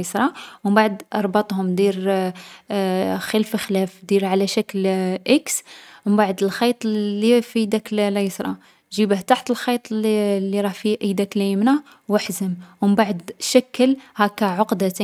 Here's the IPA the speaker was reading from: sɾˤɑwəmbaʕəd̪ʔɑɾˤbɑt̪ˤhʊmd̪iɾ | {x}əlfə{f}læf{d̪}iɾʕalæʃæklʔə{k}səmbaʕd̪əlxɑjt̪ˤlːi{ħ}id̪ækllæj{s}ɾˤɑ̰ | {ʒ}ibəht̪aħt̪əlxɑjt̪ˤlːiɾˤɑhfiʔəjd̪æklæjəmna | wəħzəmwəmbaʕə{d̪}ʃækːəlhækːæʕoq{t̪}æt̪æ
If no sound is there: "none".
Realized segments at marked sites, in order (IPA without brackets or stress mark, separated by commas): x, x, d̪, k, f, s, ʒ, d̪, d̪